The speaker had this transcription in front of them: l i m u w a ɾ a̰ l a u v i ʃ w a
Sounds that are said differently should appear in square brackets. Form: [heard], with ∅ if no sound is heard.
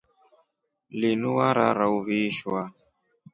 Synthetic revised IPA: l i [n] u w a ɾ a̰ [ɾ] a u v i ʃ w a